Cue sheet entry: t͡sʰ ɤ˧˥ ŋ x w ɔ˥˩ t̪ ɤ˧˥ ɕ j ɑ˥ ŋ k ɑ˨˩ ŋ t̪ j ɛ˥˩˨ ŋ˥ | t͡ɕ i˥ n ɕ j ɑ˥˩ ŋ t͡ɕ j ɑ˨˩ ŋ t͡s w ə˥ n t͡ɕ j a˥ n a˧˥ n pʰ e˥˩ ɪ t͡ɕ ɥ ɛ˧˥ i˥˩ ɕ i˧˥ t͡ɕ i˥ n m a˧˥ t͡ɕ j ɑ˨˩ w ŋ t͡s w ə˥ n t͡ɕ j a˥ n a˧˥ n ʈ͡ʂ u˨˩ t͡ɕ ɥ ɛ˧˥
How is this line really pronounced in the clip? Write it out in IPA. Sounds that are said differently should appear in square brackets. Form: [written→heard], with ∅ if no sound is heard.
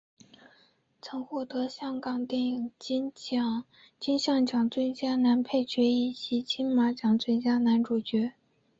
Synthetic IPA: t͡sʰ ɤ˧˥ ŋ x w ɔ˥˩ t̪ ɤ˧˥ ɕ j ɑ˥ ŋ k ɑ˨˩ ŋ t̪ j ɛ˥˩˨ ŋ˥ | t͡ɕ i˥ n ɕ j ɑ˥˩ ŋ t͡ɕ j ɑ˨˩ ŋ t͡s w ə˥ n t͡ɕ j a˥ n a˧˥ n pʰ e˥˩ ɪ t͡ɕ ɥ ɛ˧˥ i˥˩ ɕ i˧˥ [t͡ɕ→t͡ɕʰ] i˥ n m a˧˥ t͡ɕ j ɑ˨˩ [w→∅] ŋ t͡s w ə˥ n t͡ɕ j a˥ n a˧˥ n ʈ͡ʂ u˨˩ t͡ɕ ɥ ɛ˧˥